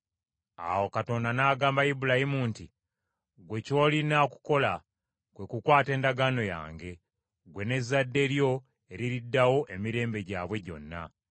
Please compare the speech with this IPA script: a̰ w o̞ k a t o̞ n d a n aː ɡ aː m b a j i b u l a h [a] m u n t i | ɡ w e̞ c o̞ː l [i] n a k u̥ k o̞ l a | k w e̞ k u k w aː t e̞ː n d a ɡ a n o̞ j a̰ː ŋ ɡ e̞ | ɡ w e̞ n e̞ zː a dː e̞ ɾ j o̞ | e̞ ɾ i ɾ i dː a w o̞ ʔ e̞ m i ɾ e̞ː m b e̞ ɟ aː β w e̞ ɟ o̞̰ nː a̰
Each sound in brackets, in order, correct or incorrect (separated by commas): incorrect, correct